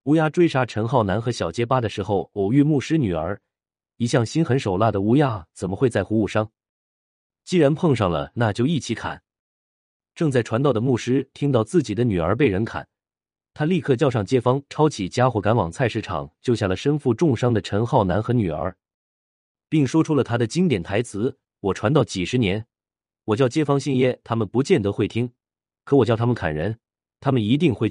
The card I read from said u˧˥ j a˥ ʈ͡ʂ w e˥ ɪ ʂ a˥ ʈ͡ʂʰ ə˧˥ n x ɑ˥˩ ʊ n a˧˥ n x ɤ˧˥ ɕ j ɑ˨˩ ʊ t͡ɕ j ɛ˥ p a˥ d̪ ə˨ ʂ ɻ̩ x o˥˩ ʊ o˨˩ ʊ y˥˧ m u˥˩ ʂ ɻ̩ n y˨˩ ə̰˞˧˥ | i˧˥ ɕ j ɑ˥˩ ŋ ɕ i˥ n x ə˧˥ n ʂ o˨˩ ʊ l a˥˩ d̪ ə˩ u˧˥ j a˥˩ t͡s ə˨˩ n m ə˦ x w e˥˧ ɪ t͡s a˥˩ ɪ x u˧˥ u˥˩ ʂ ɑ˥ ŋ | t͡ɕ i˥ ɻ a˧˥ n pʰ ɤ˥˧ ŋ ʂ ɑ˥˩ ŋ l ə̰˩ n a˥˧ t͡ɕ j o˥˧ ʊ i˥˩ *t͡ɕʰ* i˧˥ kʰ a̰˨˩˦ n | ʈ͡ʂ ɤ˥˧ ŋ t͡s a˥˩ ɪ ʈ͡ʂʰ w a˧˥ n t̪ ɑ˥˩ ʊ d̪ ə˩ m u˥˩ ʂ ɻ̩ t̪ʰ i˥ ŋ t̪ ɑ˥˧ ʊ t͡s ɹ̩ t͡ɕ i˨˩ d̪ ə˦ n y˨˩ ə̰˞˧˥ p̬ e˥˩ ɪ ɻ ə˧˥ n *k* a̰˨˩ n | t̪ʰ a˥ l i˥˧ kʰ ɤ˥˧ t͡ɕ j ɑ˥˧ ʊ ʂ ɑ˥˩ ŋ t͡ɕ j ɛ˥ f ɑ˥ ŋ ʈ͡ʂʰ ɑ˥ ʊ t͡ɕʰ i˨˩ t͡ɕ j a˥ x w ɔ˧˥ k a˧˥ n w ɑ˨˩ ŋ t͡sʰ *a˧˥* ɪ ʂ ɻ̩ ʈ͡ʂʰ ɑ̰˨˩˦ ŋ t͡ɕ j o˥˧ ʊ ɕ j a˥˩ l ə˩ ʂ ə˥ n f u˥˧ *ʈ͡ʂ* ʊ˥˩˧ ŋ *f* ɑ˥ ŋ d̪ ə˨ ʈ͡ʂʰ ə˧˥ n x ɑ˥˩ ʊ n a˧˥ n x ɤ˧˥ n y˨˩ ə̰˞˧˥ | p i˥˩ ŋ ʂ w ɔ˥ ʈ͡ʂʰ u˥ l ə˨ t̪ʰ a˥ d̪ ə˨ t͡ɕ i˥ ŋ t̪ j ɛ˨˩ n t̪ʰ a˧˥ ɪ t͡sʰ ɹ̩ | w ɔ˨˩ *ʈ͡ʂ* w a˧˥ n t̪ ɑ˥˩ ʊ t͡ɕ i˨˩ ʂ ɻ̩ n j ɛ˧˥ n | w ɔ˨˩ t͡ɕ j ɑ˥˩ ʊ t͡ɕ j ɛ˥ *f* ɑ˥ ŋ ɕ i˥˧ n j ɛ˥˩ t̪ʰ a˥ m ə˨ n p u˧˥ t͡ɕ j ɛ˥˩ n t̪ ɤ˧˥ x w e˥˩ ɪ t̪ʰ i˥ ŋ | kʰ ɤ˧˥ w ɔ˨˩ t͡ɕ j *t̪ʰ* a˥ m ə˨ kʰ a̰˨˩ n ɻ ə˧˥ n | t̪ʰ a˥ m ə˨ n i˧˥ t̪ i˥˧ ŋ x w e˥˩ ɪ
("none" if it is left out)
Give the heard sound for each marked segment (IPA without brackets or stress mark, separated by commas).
t͡ɕʰ, kʰ, a˥˧, ʈ͡ʂ, ʂ, ʈ͡ʂʰ, f, t̪ʰ